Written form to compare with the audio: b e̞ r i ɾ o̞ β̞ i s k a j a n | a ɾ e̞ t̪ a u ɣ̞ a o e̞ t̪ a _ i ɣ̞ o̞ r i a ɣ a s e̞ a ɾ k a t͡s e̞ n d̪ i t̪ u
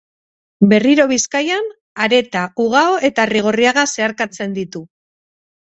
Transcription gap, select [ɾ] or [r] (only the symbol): r